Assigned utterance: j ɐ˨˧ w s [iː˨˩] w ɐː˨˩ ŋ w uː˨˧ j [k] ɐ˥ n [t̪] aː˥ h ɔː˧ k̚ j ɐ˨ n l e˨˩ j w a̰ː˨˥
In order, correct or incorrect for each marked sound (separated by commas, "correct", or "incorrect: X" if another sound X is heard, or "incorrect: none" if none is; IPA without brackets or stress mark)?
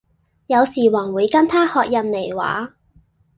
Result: correct, correct, incorrect: t̪ʰ